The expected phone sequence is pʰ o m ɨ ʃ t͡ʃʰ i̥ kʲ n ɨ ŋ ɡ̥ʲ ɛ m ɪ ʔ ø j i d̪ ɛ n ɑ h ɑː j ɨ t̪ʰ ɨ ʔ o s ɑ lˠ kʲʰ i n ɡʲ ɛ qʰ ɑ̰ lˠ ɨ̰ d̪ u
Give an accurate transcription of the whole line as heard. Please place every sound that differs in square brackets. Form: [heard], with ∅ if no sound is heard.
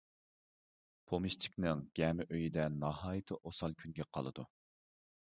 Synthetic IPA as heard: pʰ o m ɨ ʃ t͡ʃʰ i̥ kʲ n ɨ ŋ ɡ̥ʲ ɛ m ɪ ʔ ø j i d̪ ɛ n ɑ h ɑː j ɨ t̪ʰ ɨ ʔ o s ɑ lˠ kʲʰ [y] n ɡʲ ɛ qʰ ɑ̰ lˠ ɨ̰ d̪ u